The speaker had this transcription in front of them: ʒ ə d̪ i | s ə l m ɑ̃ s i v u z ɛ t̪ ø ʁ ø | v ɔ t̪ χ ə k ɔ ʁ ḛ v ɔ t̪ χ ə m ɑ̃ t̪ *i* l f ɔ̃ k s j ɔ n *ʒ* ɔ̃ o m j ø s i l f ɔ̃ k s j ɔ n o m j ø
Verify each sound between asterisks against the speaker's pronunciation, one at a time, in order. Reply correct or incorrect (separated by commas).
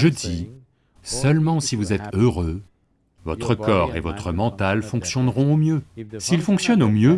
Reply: incorrect, incorrect